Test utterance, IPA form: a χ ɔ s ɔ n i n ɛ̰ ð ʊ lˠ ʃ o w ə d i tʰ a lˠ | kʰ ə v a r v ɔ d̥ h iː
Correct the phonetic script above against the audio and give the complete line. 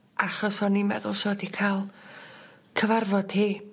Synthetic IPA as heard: a χ ɔ s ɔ n i m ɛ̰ ð ʊ lˠ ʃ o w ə d i kʰ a lˠ | kʰ ə v a r v ɔ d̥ h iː